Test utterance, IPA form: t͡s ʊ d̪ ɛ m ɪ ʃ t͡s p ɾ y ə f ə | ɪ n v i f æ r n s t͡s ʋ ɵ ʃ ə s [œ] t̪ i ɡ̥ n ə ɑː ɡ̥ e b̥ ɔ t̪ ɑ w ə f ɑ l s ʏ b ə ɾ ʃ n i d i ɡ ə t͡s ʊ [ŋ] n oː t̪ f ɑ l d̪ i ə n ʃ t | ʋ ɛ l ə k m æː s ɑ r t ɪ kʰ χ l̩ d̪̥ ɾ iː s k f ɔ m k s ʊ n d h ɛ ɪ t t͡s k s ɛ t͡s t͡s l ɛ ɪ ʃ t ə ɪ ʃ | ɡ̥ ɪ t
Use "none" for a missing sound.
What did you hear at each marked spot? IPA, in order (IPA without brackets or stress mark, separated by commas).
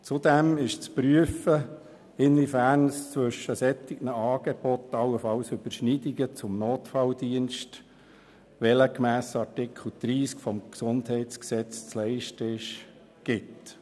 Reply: ɛ, m